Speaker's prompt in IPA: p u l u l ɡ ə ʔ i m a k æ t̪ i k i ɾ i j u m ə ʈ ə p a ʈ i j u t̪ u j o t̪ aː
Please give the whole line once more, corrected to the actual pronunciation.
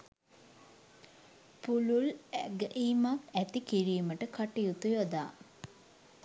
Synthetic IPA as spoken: p u l u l ɡ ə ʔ i m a k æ t̪ i k i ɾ i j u m ə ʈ ə k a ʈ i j u t̪ u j o d̪ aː